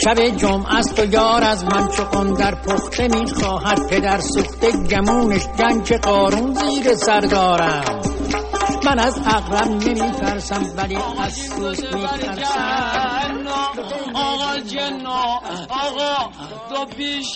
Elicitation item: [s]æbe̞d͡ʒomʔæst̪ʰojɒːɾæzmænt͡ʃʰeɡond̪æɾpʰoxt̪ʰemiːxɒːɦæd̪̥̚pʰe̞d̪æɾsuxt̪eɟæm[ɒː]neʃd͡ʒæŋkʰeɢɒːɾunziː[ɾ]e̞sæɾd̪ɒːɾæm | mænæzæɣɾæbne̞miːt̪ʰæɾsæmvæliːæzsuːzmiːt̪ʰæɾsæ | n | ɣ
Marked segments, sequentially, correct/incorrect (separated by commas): incorrect, incorrect, correct